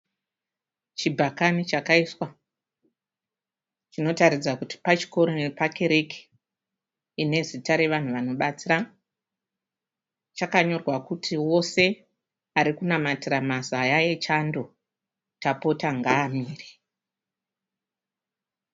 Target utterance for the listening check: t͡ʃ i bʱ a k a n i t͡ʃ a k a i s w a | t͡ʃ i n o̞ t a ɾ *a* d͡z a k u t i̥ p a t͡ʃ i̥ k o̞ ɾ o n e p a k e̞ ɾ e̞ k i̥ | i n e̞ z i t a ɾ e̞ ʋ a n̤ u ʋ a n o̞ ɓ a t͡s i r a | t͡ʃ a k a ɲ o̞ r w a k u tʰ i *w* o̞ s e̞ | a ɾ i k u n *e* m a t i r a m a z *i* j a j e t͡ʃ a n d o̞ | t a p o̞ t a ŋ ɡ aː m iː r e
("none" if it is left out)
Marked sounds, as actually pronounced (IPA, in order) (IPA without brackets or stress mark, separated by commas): i, w, a, a